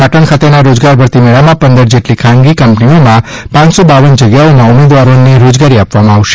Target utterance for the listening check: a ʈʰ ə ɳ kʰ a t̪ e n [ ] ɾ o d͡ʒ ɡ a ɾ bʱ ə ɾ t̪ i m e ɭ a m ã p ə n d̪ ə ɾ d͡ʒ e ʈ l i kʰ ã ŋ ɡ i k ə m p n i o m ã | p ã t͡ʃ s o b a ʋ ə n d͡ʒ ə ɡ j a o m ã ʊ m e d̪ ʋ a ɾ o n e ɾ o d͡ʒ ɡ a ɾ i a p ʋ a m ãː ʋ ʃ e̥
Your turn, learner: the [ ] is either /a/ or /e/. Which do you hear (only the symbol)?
a